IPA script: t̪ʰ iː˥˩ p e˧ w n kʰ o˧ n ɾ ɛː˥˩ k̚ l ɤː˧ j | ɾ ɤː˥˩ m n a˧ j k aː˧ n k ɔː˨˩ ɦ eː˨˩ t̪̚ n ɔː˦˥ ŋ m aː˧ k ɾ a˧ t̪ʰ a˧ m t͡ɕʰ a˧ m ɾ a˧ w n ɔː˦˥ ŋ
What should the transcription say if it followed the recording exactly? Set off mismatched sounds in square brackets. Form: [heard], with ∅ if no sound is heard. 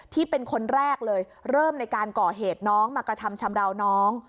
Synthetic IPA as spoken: t̪ʰ iː˥˩ p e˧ [∅] n kʰ o˧ n ɾ ɛː˥˩ k̚ l ɤː˧ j | ɾ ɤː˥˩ m n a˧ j k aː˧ n k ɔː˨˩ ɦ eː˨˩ t̪̚ n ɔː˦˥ ŋ m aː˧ k ɾ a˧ t̪ʰ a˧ m t͡ɕʰ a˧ m ɾ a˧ w n ɔː˦˥ ŋ